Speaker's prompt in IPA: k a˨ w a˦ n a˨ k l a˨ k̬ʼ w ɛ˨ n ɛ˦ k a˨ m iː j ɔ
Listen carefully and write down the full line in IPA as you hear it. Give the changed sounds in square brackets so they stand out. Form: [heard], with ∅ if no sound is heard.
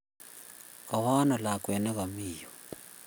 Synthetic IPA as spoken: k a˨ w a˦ n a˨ [∅] l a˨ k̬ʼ w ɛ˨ n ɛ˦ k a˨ m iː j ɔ